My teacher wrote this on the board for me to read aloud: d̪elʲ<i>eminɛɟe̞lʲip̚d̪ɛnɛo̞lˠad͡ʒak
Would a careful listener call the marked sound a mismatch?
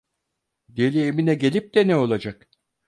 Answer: no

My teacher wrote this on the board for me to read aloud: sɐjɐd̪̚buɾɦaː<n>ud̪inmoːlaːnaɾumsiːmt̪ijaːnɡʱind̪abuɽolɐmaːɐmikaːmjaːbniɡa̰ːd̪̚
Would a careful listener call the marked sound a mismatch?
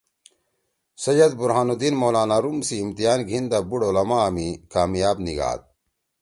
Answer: no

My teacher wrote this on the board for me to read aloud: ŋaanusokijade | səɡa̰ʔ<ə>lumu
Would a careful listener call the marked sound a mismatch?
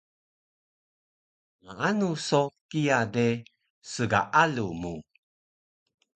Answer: yes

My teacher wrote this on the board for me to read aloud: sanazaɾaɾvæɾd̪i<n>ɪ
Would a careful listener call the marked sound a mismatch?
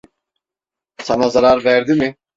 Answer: yes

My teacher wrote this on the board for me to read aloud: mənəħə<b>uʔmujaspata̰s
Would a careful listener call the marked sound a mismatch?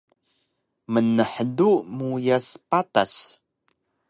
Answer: yes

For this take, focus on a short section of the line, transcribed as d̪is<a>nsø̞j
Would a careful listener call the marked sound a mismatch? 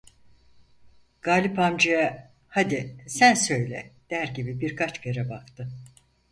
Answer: yes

